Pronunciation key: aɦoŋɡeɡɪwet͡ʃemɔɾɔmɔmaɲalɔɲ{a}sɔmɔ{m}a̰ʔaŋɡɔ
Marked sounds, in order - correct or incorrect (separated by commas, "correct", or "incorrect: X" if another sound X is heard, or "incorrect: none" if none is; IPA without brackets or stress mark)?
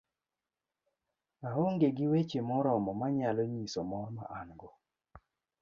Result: incorrect: i, correct